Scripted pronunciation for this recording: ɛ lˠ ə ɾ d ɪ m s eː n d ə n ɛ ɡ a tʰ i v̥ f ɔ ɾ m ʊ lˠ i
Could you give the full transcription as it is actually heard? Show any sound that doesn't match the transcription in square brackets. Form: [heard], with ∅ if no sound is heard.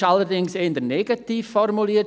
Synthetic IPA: [a] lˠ ə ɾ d ɪ [ŋ] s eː n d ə n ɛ ɡ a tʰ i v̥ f ɔ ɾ m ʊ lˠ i